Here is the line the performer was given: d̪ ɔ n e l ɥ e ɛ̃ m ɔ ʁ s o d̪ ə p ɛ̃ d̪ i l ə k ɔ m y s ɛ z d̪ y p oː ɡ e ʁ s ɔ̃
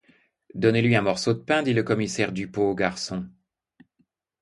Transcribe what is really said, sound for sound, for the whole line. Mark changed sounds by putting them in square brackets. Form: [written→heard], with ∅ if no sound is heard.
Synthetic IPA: d̪ ɔ n e l ɥ [e→i] ɛ̃ m ɔ ʁ s o d̪ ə p ɛ̃ d̪ i l ə k ɔ m [y→i] s ɛ [z→ʁ] d̪ y p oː ɡ [e→a] ʁ s ɔ̃